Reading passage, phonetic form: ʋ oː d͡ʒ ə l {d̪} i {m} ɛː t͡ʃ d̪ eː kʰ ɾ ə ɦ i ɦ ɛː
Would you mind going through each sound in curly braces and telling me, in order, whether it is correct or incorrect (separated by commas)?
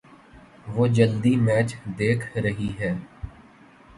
correct, correct